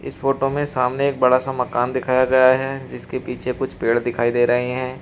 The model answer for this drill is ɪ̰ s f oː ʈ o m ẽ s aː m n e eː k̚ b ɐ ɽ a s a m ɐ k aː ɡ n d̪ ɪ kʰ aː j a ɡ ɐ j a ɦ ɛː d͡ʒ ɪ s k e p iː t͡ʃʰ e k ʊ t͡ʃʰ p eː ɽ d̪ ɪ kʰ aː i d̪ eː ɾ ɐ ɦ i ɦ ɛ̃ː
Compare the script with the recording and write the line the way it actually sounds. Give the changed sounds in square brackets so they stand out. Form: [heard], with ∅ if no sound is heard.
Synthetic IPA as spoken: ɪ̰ s f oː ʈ o m ẽ s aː m n e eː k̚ b ɐ ɽ a s a m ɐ k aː [∅] n d̪ ɪ kʰ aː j a ɡ ɐ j a ɦ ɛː d͡ʒ ɪ s k e p iː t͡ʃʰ e k ʊ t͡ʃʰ p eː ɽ d̪ ɪ kʰ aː i d̪ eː ɾ ɐ ɦ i ɦ ɛ̃ː